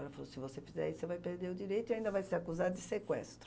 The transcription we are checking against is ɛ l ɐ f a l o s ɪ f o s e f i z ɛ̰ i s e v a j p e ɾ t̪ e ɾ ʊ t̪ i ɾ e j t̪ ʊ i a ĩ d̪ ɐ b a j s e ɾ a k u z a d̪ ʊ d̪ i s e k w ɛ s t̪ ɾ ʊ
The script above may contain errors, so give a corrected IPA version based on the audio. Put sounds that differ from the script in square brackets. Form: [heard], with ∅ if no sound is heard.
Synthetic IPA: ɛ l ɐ f a l o s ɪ [v] o s e f i z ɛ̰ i s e v a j p e ɾ [d̪] e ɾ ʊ [d̪] i ɾ e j t̪ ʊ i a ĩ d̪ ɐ [v] a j s e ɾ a k u z a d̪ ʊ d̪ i s e k w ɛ s t̪ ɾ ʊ